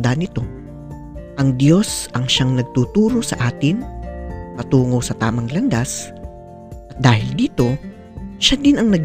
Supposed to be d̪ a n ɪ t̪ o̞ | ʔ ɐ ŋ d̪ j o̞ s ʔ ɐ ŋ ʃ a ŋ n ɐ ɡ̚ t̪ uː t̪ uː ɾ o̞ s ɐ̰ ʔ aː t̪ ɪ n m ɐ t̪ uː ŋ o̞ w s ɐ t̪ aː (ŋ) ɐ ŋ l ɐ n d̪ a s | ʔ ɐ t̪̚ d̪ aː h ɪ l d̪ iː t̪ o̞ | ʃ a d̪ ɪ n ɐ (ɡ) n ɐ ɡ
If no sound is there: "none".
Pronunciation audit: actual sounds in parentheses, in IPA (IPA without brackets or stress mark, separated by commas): m, ŋ